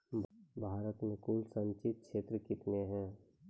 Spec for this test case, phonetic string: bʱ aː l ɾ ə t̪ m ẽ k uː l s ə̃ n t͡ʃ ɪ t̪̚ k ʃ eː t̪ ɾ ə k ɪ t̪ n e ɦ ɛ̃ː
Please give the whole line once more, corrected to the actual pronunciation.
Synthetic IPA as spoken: bʱ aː ɾ ə t̪ m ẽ k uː l s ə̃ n t͡ʃ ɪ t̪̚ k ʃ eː t̪ ɾ ə k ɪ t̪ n e ɦ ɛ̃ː